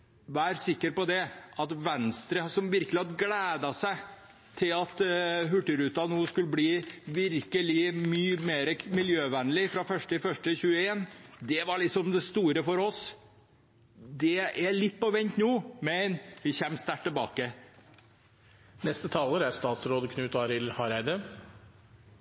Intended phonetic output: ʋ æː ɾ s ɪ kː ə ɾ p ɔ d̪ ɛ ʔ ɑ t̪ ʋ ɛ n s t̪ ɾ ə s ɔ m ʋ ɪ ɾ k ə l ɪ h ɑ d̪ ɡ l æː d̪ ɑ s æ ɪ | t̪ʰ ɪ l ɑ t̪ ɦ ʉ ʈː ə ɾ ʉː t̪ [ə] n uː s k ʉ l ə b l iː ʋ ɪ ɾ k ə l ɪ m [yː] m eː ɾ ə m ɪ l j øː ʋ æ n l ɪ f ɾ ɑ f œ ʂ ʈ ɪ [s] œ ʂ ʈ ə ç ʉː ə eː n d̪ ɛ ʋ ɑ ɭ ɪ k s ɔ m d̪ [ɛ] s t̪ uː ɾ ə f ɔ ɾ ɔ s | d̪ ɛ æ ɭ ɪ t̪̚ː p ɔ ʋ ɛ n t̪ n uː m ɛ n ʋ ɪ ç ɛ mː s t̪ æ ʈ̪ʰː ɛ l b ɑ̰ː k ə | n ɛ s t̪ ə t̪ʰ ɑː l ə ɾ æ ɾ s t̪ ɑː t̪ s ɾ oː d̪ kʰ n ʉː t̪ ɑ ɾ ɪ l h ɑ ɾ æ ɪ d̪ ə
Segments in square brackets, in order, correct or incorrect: incorrect: ɑ, correct, incorrect: f, correct

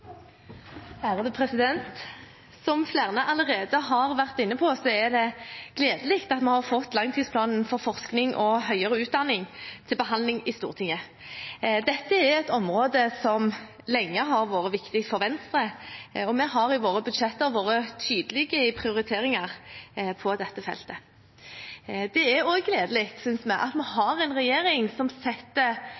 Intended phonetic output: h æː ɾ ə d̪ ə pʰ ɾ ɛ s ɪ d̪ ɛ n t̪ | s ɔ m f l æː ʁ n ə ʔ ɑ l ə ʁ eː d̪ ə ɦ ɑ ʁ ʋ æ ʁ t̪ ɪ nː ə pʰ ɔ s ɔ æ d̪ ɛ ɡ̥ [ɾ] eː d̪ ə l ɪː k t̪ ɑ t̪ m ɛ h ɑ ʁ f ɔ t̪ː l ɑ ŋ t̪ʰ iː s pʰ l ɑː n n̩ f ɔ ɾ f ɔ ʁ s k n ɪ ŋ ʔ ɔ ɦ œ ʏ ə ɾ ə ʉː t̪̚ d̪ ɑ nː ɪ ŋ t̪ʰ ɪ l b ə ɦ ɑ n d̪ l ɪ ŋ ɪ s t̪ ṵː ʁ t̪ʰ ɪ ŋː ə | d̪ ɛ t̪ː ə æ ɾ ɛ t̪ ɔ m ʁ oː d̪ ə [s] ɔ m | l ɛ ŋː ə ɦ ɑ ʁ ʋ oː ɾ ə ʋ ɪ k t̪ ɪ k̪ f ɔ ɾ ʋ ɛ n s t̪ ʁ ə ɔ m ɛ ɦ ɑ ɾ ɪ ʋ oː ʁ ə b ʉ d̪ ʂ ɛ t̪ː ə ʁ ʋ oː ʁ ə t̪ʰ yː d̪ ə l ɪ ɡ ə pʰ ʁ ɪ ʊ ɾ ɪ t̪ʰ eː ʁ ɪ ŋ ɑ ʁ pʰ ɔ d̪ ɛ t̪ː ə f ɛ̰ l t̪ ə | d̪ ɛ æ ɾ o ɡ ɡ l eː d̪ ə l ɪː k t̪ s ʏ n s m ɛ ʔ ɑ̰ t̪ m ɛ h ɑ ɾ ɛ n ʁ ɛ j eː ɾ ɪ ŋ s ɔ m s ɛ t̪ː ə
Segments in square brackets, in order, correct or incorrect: incorrect: l, correct

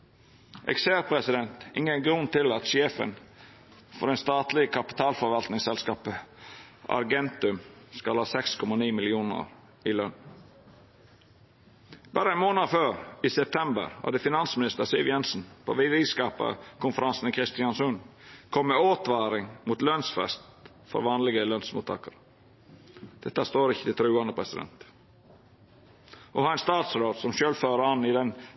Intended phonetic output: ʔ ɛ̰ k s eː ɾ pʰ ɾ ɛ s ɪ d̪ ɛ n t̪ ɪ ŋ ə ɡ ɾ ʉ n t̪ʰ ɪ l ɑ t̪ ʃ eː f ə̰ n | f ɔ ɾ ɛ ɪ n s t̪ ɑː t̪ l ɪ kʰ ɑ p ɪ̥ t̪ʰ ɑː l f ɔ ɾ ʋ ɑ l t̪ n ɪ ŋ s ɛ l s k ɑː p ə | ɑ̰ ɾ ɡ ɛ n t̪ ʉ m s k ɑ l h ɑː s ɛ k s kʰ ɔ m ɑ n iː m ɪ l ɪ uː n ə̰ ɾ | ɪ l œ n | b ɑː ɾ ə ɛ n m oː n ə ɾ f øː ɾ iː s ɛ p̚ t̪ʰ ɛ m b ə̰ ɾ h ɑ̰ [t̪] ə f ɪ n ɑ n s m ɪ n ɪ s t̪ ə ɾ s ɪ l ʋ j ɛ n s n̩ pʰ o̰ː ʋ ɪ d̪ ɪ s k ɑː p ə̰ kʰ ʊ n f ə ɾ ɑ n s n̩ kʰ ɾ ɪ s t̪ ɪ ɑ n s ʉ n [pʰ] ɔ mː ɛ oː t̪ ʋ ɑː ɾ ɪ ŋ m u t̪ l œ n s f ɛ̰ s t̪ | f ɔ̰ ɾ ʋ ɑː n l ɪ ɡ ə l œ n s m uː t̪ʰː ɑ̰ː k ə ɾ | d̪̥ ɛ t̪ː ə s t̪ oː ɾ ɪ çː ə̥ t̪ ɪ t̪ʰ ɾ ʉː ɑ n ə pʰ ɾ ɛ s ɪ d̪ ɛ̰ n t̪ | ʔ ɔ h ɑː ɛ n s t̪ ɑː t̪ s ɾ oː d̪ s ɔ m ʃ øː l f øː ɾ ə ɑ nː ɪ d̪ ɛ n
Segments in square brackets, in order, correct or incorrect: incorrect: d̪, incorrect: kʰ

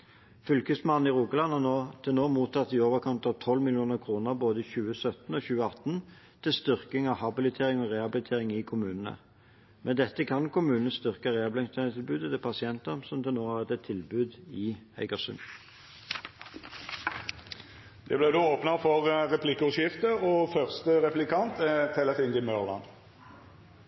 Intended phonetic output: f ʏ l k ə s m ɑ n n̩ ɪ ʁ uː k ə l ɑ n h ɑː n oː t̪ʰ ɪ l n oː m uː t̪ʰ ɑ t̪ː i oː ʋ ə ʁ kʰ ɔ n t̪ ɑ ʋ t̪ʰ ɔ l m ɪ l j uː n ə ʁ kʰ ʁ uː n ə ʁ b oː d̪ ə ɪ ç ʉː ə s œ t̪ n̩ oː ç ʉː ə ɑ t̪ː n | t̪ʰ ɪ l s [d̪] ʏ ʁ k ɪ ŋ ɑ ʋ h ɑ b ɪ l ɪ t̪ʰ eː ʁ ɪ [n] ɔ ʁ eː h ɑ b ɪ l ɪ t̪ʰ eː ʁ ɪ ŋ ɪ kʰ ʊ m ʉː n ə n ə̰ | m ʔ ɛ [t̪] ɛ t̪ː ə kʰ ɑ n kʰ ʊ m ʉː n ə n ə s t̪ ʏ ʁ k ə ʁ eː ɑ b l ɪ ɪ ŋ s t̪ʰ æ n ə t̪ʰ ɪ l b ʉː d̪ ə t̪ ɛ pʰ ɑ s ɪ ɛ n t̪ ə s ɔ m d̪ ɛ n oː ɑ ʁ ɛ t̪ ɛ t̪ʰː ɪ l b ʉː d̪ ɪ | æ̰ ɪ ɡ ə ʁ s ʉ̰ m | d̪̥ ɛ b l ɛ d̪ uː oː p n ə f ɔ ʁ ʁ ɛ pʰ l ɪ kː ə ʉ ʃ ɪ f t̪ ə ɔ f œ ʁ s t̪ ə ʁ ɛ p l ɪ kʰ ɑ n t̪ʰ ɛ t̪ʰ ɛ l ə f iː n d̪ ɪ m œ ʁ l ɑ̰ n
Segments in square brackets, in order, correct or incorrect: incorrect: t̪, incorrect: ŋ, incorrect: d̪

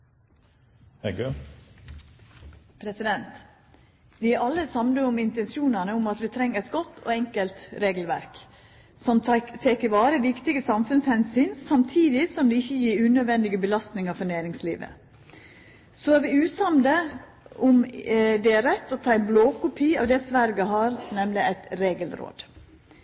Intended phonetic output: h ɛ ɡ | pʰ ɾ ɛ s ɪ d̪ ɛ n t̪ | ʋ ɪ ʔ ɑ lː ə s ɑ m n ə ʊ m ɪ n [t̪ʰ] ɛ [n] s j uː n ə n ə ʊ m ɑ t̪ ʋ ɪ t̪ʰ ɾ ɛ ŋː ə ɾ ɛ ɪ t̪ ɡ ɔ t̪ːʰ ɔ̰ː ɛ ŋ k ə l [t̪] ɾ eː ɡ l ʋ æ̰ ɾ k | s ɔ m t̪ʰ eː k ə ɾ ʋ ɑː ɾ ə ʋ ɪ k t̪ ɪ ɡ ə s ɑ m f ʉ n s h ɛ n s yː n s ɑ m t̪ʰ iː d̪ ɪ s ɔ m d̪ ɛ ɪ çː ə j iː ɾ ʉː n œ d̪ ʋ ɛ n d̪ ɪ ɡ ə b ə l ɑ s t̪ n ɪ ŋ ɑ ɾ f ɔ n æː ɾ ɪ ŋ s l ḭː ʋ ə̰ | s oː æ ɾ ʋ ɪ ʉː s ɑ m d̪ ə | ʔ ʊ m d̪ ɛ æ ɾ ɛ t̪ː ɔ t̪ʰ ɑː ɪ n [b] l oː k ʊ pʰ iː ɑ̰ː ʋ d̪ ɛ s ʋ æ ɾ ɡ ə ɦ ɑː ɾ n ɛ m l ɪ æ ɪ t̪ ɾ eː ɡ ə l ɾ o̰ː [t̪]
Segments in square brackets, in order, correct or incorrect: incorrect: t̪, correct, correct, correct, incorrect: d̪

